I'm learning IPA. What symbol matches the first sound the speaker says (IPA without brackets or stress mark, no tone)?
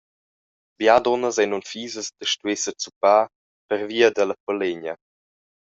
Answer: b